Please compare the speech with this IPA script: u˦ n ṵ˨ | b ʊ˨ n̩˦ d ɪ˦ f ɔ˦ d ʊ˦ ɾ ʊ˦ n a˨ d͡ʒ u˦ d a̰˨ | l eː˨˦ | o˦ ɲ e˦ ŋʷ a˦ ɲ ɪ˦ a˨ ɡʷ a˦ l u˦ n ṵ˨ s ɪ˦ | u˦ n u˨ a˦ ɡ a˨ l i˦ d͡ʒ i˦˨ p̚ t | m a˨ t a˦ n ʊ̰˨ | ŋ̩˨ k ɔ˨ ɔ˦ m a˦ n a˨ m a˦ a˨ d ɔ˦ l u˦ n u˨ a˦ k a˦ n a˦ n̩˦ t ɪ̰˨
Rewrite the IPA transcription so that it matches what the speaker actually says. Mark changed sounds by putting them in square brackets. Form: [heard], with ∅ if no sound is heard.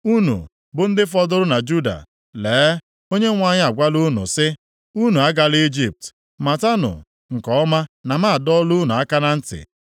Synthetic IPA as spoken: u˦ n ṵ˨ | b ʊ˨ n̩˦ d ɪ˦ f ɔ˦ d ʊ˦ ɾ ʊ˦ n a˨ d͡ʒ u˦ d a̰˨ | l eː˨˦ | o˦ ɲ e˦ ŋʷ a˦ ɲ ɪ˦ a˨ ɡʷ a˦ l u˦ n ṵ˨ s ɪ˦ | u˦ n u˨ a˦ ɡ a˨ l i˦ d͡ʒ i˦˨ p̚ t | m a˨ t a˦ n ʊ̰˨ | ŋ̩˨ k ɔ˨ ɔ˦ m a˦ n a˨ m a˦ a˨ d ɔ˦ l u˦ n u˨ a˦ k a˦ n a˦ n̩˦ t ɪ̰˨